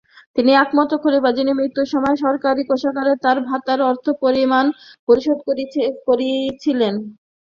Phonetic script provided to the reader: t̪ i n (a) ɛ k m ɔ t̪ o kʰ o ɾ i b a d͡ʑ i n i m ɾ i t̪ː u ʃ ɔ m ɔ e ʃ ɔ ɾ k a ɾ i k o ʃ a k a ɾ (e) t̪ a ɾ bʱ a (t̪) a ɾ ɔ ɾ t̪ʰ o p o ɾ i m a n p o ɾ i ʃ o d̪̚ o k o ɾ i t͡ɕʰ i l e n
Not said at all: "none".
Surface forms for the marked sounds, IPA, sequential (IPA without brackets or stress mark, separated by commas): i, e, t̪